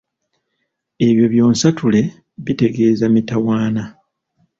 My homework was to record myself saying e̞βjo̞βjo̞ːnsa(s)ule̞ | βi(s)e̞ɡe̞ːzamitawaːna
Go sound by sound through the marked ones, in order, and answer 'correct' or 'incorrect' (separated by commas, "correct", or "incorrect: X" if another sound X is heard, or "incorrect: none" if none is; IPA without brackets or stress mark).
incorrect: t, incorrect: t